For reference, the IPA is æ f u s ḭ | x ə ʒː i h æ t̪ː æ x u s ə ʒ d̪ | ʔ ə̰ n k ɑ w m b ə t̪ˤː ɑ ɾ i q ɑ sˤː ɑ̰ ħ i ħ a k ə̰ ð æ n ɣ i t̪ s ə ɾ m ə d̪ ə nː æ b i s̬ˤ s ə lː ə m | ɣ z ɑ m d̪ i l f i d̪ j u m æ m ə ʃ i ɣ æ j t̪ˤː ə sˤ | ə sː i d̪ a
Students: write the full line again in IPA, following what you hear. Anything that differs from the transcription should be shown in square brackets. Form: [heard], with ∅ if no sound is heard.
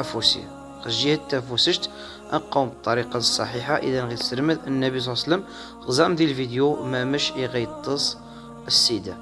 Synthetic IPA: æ f u s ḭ | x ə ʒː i h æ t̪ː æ [f] u s ə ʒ [t̪] | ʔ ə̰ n [q] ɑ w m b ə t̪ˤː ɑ ɾ i q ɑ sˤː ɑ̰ ħ i ħ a [ʔ] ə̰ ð æ n ɣ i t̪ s ə ɾ m ə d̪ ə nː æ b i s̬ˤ s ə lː ə m | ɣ z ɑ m d̪ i l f i d̪ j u m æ m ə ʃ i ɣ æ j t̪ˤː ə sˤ | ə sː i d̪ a